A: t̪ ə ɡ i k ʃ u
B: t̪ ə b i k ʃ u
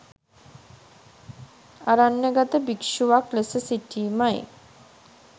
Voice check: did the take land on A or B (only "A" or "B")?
B